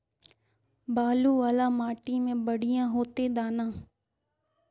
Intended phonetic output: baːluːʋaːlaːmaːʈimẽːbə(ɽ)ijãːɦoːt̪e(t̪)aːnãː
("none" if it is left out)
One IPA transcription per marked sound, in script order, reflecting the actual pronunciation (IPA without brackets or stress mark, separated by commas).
ɽ, d̪